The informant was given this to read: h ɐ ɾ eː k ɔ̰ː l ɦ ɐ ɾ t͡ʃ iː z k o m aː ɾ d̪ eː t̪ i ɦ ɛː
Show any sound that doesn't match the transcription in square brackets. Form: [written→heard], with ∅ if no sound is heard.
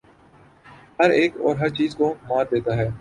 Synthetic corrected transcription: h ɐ ɾ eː k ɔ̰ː [l→ɾ] ɦ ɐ ɾ t͡ʃ iː z k o m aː ɾ d̪ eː t̪ [i→a] ɦ ɛː